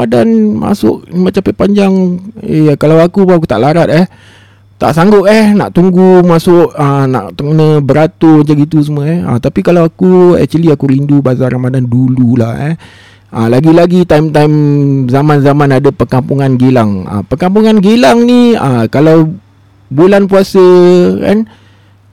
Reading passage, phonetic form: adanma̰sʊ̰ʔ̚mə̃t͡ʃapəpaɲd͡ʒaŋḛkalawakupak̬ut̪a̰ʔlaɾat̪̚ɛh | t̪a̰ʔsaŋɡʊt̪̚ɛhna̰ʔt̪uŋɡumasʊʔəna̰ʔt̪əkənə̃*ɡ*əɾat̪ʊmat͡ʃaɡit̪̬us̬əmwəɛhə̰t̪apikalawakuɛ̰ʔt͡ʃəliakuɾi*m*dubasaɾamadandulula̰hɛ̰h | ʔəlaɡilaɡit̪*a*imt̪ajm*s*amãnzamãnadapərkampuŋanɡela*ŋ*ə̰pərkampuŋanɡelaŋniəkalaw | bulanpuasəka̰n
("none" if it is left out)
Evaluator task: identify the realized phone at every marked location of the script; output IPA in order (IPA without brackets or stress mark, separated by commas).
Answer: b, n, a, z, ŋ